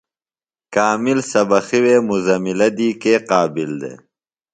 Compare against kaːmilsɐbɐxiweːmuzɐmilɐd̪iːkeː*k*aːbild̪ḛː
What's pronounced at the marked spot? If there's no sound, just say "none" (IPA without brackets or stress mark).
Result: q